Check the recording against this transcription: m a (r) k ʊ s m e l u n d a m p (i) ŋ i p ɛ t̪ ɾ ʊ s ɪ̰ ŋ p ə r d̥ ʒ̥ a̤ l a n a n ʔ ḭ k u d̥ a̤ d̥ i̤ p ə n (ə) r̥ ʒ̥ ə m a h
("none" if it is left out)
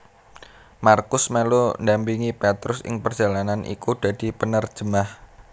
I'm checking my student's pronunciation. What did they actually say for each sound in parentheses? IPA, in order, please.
r, i, ə

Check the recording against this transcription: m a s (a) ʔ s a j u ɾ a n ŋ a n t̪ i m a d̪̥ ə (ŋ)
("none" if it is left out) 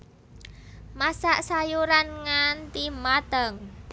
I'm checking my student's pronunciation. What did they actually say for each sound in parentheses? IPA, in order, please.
a, ŋ

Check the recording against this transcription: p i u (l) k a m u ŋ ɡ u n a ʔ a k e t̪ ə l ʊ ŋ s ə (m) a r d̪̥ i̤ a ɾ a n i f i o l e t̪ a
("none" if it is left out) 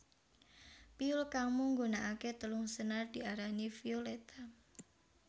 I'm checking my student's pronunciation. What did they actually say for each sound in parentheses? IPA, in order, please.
l, n

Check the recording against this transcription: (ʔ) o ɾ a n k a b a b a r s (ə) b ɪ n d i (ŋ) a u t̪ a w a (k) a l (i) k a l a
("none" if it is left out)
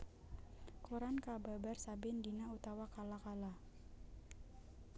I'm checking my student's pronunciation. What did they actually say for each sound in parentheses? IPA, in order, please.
k, a, n, k, a

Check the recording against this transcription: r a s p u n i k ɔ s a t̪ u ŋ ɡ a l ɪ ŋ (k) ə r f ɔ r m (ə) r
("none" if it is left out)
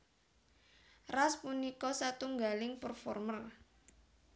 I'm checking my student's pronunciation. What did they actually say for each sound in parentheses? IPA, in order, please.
p, ə

